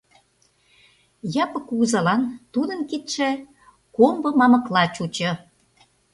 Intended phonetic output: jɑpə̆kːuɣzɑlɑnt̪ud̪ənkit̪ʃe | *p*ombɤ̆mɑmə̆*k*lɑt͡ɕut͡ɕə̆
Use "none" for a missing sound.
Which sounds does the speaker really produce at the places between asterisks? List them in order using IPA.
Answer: k, k

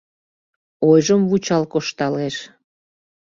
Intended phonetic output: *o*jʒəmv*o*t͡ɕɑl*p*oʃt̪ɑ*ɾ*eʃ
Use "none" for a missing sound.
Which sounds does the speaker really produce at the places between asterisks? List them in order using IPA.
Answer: o, u, k, l

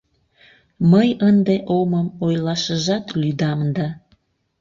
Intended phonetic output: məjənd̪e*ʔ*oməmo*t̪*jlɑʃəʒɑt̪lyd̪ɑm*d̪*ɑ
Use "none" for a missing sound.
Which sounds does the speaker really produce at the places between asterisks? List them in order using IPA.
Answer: ʔ, none, d̪

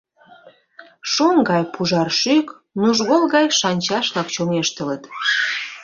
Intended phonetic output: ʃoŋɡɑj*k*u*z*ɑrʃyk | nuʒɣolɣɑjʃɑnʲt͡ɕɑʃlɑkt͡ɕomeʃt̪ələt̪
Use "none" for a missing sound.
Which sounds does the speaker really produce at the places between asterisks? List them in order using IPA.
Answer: p, ʒ

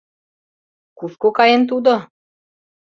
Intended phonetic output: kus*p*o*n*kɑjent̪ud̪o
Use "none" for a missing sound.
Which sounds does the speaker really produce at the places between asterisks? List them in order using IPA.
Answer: k, none

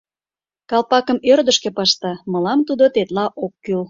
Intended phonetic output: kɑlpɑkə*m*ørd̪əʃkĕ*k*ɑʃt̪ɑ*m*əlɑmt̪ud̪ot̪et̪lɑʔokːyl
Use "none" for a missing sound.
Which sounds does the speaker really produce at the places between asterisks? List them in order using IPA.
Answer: m, p, m

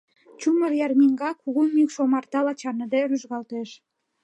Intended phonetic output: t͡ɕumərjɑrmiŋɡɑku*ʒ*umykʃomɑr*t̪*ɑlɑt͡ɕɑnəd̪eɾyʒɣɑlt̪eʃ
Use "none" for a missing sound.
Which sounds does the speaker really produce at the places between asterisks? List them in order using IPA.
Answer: ɣ, t̪

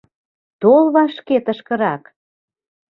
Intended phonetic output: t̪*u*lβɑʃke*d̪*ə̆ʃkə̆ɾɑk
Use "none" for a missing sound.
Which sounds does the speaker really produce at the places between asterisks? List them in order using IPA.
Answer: o, t̪

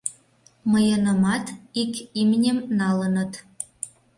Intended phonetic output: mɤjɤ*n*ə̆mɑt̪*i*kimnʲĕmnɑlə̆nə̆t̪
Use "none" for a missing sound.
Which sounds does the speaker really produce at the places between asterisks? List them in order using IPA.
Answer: n, i

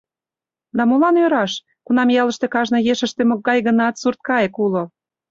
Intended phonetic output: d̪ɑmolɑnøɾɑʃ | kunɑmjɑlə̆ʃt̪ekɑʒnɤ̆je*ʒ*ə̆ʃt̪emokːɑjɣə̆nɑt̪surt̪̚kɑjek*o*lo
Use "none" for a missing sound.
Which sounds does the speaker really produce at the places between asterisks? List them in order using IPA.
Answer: ʃ, u

